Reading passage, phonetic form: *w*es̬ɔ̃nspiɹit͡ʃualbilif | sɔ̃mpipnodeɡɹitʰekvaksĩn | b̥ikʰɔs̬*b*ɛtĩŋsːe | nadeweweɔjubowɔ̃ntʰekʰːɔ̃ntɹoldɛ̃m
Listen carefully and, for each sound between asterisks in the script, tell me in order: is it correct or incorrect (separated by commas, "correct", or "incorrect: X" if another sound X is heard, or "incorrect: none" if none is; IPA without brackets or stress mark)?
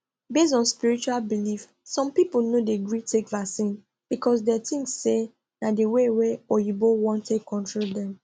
incorrect: b, incorrect: d